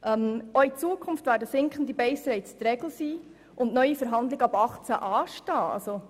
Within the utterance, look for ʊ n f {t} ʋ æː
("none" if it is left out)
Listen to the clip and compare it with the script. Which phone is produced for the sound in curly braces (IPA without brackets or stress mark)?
t